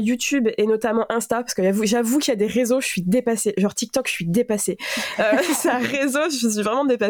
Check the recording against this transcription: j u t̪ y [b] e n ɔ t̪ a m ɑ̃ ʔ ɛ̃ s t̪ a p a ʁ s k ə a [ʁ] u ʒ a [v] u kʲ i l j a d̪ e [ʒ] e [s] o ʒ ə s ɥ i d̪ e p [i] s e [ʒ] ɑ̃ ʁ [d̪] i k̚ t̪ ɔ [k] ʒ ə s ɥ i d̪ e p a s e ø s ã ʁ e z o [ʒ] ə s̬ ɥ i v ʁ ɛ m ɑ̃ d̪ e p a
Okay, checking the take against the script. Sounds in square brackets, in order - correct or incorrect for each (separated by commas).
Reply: correct, incorrect, correct, incorrect, incorrect, incorrect, correct, incorrect, correct, correct